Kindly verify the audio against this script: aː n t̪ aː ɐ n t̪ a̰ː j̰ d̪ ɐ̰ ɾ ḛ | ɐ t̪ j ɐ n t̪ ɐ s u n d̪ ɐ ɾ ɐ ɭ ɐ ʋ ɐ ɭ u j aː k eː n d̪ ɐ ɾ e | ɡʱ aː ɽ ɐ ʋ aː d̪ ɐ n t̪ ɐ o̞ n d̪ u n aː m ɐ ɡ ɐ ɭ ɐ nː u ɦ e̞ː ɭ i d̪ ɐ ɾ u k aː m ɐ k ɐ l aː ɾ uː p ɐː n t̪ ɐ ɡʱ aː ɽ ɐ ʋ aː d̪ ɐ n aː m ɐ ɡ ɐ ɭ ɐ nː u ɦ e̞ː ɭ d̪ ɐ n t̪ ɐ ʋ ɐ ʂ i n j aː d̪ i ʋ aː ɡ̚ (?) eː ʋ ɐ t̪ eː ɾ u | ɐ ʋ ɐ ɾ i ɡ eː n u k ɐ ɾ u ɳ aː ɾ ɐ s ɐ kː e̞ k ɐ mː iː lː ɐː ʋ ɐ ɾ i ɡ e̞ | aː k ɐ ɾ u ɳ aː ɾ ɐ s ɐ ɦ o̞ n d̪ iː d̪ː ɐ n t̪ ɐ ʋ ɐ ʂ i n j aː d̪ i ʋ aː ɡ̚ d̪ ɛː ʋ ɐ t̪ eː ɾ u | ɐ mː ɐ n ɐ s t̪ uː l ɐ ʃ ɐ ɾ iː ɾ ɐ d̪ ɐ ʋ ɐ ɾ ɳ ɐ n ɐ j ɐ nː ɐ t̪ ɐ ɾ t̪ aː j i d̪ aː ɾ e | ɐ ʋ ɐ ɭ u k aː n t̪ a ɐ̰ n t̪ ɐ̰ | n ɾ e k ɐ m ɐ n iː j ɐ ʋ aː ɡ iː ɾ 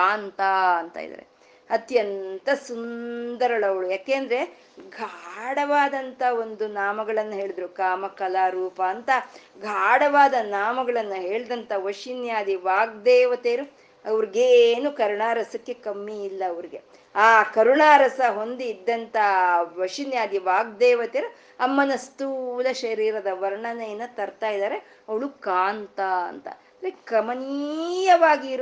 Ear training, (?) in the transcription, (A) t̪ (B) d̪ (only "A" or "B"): B